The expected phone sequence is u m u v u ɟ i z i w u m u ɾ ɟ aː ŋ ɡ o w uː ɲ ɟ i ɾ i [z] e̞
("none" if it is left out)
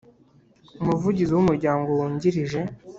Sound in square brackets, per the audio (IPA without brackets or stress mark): ʒ